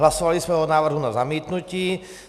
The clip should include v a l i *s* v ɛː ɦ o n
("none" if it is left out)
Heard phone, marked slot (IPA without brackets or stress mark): s